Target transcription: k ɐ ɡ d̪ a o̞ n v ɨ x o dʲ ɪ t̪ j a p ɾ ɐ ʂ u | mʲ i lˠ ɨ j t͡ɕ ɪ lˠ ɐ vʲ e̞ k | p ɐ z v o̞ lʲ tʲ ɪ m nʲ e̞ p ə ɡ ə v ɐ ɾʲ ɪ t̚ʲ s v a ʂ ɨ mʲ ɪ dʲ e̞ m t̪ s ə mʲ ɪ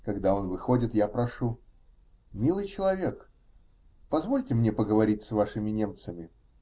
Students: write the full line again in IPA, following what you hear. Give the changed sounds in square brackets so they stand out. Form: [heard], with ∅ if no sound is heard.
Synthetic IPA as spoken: k ɐ ɡ d̪ a o̞ n v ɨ x o dʲ ɪ t̪ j a p ɾ ɐ ʂ u | mʲ i lˠ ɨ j t͡ɕ ɪ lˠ ɐ vʲ e̞ k | p ɐ z v o̞ lʲ tʲ ɪ m nʲ e̞ p ə ɡ ə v ɐ ɾʲ [i] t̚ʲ s v a ʂ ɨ mʲ ɪ [nʲ] e̞ m t̪ s ə mʲ ɪ